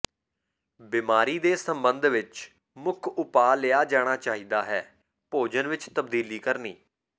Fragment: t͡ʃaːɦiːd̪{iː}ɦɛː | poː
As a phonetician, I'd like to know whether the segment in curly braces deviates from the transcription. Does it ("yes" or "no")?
yes